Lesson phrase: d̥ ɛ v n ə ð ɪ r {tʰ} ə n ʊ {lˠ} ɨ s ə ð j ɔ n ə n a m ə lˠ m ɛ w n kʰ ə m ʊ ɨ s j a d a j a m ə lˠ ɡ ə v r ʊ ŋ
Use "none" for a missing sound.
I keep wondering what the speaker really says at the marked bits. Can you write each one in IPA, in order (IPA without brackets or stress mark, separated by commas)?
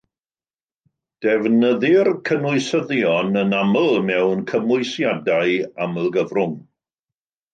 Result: kʰ, none